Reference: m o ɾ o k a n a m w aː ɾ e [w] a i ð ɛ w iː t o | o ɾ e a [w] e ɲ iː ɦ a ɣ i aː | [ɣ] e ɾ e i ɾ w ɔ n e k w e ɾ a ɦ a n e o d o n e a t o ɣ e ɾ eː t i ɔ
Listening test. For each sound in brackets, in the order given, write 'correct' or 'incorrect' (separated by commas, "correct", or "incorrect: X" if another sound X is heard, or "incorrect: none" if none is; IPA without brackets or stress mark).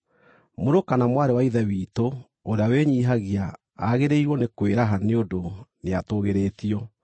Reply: correct, correct, correct